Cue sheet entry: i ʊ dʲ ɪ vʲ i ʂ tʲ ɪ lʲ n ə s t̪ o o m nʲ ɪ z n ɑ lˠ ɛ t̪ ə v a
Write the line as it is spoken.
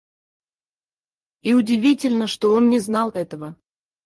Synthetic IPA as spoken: i ʊ dʲ ɪ vʲ i tʲ ɪ lʲ n ə ʂ t̪ o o n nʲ ɪ z n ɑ lˠ ɛ t̪ ə v ə